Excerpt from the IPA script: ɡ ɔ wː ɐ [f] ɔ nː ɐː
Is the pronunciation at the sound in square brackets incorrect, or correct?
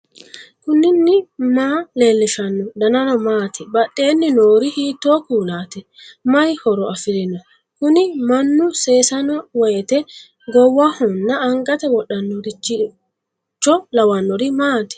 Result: incorrect